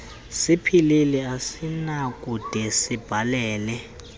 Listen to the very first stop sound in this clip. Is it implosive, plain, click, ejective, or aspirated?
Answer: aspirated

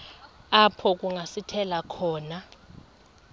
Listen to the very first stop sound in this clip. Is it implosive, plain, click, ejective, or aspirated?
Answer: aspirated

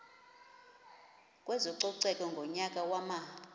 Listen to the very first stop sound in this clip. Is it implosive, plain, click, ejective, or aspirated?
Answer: ejective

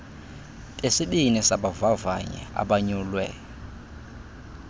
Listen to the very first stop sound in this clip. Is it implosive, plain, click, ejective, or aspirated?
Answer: ejective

